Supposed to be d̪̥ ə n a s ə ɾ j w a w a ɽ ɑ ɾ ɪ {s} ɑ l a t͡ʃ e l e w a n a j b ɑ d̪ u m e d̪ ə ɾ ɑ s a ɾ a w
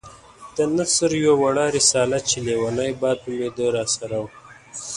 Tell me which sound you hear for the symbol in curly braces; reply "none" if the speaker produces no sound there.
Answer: s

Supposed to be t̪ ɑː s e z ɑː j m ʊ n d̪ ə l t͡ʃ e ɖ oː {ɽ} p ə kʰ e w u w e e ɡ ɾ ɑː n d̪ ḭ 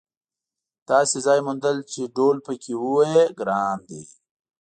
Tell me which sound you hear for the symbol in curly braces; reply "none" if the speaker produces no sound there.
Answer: l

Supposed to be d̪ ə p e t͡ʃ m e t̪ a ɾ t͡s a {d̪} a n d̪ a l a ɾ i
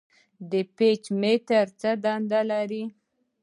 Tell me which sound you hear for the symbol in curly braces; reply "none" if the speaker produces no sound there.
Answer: d̪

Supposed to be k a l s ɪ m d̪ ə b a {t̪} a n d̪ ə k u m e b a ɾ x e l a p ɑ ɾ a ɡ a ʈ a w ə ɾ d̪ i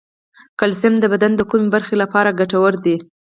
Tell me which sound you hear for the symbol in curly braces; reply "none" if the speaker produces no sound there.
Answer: d̪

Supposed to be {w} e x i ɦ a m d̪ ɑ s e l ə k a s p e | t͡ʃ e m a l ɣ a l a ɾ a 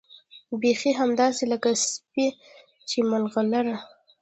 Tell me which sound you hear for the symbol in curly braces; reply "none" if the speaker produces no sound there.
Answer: b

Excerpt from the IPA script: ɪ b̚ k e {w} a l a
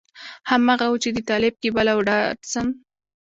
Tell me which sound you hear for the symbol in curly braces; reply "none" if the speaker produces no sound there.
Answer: b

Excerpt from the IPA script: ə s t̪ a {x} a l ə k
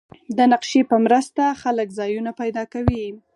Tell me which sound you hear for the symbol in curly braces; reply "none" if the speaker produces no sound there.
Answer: x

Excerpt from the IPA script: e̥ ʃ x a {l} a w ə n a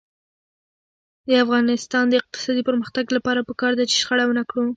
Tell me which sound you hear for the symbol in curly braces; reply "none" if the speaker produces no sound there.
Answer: ɽ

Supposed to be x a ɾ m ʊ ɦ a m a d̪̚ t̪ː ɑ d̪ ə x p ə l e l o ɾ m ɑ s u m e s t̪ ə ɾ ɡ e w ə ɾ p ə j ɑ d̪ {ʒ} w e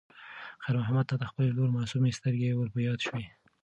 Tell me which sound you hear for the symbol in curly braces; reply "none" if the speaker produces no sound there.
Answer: ʃ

